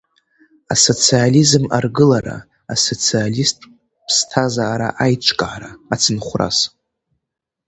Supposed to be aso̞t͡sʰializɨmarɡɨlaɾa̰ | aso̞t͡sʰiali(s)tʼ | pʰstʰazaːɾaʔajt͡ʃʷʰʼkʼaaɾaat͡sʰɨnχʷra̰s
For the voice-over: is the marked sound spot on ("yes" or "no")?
yes